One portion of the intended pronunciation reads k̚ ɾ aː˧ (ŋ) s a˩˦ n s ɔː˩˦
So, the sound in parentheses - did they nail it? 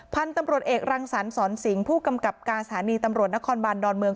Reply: yes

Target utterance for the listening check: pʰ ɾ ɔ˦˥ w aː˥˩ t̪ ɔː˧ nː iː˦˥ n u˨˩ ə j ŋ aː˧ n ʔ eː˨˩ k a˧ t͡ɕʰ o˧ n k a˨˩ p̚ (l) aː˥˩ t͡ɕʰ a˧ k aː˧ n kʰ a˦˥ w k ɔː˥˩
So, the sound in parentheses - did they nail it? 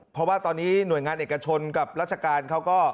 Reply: no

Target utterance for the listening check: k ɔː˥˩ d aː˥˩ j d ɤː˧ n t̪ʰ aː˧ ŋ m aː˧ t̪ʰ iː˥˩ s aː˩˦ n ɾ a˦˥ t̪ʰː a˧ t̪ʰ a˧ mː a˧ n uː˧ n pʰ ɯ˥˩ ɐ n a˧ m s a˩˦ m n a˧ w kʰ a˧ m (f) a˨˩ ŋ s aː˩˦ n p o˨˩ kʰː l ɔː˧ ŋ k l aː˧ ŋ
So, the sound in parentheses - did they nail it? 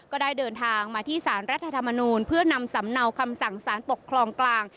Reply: no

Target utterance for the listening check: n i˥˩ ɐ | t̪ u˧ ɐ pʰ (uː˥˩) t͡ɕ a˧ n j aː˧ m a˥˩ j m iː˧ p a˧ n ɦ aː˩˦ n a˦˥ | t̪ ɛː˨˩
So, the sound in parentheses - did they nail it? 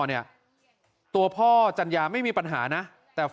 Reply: no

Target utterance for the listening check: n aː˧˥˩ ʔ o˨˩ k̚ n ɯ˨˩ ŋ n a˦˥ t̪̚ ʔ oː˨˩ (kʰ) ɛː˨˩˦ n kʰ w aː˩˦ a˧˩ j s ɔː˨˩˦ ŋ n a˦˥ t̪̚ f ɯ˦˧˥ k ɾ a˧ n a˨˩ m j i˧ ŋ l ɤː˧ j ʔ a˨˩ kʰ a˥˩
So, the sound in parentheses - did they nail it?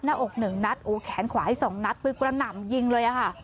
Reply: yes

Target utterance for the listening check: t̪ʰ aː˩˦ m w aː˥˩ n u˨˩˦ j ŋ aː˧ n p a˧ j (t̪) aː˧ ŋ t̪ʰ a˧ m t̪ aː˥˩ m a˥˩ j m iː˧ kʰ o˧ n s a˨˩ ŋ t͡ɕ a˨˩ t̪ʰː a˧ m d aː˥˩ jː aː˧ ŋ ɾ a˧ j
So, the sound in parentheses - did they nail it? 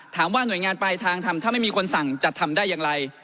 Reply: no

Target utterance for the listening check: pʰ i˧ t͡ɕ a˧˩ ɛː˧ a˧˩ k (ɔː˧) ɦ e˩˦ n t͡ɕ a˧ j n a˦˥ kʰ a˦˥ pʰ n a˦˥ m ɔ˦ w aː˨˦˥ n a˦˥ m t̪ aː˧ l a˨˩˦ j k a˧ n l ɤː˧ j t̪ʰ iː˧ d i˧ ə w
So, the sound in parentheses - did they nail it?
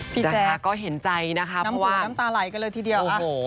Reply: no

